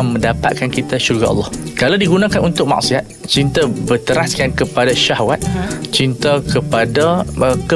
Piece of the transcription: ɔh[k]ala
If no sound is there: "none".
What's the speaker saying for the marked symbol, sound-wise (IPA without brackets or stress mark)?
k